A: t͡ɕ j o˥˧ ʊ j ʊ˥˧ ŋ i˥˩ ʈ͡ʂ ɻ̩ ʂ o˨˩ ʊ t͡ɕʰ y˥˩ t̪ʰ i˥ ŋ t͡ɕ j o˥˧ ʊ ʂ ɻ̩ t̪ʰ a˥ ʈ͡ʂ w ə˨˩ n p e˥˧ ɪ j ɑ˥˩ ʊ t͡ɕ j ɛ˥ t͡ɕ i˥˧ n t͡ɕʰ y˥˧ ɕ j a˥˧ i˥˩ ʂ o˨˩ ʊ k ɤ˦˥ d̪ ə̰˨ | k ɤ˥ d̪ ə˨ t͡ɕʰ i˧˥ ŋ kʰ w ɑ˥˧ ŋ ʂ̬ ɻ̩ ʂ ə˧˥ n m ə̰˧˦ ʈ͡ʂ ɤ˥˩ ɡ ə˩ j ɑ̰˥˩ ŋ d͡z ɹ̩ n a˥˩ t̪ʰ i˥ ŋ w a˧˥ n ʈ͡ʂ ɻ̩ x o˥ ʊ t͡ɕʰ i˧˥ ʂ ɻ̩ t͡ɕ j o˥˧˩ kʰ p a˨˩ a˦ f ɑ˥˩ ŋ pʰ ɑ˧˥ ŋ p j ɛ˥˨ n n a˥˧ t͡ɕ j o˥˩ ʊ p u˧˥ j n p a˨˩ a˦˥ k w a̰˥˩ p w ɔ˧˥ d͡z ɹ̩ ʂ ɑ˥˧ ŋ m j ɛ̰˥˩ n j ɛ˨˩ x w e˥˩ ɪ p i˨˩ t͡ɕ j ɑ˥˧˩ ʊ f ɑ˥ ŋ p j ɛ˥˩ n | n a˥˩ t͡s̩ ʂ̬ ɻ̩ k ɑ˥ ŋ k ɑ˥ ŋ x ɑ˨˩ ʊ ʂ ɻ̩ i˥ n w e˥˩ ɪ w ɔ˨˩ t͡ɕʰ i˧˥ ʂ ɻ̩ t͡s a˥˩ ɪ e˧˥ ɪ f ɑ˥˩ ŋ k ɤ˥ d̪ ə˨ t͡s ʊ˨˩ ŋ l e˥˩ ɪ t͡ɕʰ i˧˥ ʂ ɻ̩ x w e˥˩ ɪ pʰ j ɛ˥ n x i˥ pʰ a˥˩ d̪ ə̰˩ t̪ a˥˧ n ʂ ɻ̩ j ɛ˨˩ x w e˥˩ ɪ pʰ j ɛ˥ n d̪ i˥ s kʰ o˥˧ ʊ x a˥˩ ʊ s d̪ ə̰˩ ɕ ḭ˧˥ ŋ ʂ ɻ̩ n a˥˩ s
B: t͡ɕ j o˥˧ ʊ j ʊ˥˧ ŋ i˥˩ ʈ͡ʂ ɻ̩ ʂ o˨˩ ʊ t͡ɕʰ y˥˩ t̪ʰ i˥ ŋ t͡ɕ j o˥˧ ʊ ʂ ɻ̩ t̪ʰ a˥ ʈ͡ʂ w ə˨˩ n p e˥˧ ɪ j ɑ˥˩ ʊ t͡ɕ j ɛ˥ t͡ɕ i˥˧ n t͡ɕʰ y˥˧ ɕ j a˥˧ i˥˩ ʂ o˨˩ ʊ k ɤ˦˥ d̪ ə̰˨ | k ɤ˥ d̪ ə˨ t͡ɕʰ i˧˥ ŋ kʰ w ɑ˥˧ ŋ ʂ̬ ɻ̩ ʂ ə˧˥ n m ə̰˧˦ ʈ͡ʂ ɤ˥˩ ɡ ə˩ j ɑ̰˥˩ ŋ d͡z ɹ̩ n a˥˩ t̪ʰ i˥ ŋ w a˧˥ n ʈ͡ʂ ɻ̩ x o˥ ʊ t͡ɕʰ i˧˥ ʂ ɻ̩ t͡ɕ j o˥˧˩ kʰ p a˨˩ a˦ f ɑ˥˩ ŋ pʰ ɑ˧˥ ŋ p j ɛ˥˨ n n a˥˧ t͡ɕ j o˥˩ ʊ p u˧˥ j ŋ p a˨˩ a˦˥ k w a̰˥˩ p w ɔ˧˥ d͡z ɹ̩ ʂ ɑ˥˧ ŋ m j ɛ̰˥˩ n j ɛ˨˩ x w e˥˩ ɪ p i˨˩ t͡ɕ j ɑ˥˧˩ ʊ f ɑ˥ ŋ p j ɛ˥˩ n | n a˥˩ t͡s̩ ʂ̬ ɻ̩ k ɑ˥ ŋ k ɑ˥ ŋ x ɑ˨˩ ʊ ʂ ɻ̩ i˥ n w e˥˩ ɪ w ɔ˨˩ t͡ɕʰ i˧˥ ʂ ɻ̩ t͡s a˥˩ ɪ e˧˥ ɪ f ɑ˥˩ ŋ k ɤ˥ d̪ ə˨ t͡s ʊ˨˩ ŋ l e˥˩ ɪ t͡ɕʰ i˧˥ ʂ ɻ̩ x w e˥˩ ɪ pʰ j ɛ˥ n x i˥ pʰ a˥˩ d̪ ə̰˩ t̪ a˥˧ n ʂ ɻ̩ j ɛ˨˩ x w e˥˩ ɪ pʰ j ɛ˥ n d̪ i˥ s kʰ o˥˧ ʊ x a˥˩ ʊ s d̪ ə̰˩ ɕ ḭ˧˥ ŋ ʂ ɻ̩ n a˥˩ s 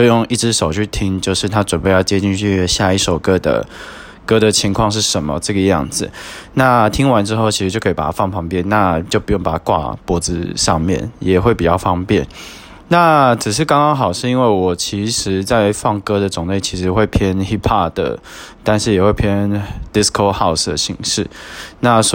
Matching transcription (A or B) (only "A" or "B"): B